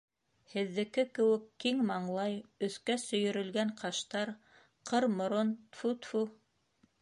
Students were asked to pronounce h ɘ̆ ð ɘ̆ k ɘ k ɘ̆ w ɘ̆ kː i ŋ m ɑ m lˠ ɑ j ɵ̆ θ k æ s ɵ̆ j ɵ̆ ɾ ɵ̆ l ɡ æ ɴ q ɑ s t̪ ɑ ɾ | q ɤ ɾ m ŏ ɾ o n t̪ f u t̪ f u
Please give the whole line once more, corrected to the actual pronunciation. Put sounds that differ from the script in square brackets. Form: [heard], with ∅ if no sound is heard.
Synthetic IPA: h ɘ̆ [ðː] ɘ̆ k ɘ k ɘ̆ w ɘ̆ kː i ŋ m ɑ [ɴ] lˠ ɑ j ɵ̆ θ k æ s ɵ̆ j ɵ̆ ɾ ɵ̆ l ɡ æ ɴ q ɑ [ʃ] t̪ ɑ ɾ | q ɤ ɾ m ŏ ɾ o n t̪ f u t̪ f u